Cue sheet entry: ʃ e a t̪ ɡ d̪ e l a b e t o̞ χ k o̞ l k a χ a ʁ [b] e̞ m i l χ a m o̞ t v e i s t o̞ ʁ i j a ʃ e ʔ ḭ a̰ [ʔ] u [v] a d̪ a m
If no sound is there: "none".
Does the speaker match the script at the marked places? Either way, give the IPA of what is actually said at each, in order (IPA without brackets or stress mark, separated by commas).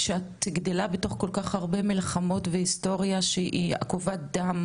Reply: b, k, v